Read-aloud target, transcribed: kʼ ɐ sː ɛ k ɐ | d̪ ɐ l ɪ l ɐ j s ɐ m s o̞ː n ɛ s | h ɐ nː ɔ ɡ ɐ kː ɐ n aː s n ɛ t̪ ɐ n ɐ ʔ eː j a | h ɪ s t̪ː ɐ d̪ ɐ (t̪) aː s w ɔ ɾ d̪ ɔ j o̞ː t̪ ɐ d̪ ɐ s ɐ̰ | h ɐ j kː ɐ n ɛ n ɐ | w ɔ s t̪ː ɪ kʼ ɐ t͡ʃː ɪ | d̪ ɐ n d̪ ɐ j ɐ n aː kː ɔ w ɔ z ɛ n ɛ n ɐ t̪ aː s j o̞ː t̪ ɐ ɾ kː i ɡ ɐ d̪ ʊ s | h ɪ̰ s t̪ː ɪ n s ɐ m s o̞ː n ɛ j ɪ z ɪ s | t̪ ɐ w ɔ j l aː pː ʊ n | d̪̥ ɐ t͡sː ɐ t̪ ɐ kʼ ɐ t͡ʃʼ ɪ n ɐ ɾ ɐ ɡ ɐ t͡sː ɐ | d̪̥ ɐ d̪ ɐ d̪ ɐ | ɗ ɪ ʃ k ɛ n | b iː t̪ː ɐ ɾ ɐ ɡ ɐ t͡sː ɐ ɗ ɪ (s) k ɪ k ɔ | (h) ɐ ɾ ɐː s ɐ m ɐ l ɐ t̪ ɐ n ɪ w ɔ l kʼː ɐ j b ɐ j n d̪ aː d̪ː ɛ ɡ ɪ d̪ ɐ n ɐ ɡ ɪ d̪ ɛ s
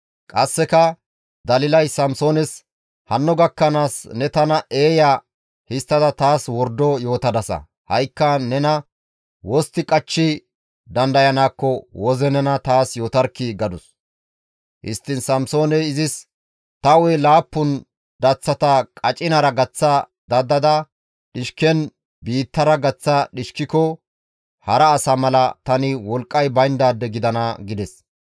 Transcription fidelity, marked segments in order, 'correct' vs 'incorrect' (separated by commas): correct, incorrect, correct